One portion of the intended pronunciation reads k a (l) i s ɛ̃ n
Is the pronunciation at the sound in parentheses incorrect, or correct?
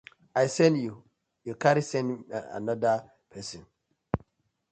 incorrect